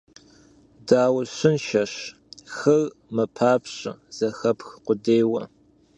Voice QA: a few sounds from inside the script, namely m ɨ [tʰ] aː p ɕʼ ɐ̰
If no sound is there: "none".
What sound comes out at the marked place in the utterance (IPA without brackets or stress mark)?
pʰ